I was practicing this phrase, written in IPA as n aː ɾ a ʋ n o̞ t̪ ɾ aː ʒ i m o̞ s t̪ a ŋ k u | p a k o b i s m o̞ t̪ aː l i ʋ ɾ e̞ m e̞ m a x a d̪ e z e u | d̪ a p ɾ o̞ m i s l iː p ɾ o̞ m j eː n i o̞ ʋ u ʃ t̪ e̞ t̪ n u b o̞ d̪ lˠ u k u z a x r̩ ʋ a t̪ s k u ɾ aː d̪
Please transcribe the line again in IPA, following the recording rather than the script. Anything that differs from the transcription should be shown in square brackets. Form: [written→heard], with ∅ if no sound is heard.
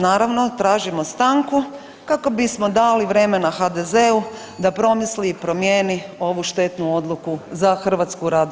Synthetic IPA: n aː ɾ a ʋ n o̞ t̪ ɾ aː ʒ i m o̞ s t̪ a ŋ k u | [p→k] a k o b i s m o̞ [t̪→d̪] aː l i ʋ ɾ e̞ m e̞ [m→n] a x a d̪ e z e u | d̪ a p ɾ o̞ m i s l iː p ɾ o̞ m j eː n i o̞ ʋ u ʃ t̪ e̞ t̪ n u [b→∅] o̞ d̪ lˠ u k u z a x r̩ ʋ a t̪ s k u ɾ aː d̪